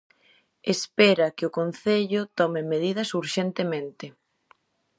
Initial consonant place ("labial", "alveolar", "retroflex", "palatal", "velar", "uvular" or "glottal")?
alveolar